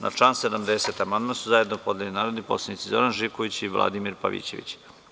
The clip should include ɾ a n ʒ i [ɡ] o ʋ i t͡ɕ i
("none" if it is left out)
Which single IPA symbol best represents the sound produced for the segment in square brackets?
k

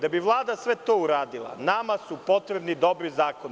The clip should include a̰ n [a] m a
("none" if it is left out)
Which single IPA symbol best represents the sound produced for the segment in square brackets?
a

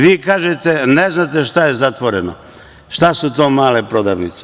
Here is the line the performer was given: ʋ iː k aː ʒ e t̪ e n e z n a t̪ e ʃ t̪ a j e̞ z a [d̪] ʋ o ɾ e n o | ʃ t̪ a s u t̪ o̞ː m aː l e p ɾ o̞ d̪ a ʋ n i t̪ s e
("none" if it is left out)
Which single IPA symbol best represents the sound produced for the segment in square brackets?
t̪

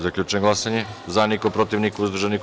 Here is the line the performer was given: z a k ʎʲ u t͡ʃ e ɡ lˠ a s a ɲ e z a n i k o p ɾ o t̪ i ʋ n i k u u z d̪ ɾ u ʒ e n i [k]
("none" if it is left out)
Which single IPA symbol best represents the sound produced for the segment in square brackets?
k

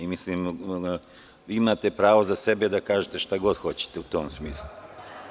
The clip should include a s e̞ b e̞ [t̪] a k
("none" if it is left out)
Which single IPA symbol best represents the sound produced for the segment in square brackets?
d̪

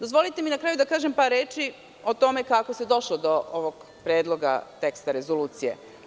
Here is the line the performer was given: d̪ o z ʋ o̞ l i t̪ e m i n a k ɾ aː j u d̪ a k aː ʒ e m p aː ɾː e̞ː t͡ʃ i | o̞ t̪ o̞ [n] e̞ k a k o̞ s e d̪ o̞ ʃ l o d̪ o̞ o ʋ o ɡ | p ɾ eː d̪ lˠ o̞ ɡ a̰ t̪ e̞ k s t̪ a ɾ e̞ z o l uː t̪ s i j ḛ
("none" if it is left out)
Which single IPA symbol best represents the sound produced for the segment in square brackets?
m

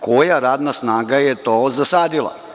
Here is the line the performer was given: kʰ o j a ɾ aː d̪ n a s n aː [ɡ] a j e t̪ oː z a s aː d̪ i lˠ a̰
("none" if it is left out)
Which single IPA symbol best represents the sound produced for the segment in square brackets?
ɡ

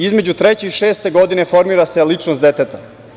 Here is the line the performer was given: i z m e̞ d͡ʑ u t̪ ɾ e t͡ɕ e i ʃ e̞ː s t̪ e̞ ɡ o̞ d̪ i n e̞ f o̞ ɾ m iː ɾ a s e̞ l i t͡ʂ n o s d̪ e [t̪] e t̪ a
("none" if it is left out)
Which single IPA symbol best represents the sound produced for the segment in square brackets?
t̪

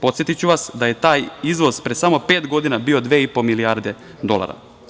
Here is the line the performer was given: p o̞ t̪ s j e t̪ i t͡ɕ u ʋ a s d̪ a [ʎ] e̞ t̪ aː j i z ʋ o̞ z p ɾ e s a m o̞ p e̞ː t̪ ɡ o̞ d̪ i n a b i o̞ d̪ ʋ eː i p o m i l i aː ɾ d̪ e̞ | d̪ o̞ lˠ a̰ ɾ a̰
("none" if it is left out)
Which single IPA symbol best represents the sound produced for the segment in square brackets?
j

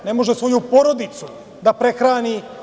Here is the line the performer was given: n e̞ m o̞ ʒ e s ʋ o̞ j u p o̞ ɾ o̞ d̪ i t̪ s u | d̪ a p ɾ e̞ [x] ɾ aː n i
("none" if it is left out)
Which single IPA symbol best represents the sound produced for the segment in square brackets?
x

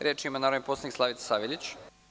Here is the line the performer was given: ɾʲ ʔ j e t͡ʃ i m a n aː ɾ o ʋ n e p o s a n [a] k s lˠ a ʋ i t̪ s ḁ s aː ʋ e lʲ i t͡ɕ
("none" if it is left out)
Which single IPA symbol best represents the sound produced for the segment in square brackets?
i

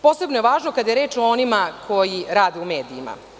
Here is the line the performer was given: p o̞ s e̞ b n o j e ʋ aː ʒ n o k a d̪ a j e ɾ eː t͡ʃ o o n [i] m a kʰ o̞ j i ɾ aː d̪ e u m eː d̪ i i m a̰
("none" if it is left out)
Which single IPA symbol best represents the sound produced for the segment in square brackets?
i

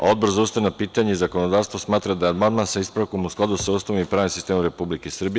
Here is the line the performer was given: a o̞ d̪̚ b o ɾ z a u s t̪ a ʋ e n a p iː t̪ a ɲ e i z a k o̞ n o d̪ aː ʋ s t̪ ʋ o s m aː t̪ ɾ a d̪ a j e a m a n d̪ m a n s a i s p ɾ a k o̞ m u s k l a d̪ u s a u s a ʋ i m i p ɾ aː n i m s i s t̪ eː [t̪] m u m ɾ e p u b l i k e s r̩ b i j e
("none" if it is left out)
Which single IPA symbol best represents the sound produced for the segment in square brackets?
none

